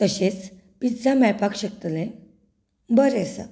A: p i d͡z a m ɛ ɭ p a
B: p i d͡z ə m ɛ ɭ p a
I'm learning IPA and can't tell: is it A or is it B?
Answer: A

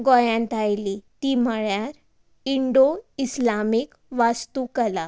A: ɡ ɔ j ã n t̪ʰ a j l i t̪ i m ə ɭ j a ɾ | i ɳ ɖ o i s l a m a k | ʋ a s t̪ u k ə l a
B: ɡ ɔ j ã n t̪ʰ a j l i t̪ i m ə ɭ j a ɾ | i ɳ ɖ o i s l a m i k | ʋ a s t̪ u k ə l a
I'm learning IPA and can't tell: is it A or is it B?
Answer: B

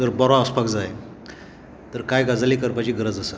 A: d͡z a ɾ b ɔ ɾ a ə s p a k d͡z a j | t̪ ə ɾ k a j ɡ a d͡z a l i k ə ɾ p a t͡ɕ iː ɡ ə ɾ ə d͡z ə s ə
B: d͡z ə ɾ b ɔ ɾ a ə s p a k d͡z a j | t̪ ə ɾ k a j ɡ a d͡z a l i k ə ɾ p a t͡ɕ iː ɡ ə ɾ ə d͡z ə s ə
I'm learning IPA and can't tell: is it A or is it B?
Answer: B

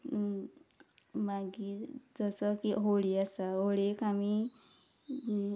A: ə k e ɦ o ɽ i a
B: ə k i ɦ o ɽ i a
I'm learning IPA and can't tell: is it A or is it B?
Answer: B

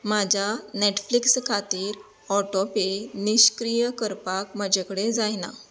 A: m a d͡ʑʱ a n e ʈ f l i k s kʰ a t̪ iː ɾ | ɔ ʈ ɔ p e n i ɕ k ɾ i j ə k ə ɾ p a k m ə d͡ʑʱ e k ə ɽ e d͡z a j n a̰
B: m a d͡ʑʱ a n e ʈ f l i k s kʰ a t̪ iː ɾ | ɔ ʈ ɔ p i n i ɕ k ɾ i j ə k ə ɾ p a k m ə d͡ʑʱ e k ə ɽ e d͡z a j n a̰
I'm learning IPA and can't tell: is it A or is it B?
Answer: A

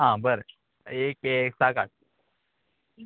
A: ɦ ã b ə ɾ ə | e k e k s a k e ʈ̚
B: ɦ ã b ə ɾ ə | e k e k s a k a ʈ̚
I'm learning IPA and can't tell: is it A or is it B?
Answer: B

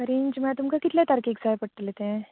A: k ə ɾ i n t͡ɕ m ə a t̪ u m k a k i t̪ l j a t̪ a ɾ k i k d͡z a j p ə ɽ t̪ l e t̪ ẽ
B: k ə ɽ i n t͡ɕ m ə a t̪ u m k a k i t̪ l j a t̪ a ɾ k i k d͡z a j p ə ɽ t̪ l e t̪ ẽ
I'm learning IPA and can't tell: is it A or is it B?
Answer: A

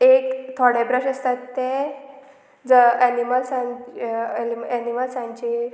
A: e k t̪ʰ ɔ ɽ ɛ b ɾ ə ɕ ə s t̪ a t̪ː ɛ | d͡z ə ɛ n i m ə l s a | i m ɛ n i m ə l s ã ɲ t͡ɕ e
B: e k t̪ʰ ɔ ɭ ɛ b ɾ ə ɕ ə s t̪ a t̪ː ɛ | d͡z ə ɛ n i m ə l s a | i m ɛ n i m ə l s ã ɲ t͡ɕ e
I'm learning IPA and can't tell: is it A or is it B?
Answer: A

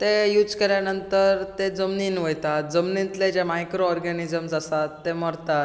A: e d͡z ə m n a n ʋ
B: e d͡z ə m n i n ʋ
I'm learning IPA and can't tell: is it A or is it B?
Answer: B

